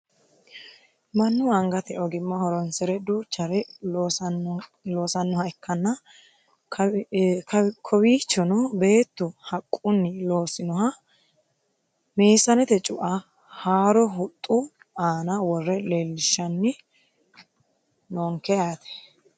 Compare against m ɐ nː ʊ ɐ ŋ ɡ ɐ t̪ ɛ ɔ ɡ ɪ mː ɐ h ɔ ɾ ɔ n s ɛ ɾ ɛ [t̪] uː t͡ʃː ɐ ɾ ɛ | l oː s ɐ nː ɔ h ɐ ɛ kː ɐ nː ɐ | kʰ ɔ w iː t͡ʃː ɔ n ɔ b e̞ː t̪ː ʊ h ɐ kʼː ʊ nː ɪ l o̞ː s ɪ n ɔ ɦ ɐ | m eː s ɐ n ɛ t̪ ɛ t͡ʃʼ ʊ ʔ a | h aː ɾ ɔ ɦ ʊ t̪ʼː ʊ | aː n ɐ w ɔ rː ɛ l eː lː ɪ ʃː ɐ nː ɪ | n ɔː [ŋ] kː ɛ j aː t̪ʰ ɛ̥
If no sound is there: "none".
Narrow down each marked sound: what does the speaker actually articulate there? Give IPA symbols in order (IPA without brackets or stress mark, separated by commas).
d̪, ŋ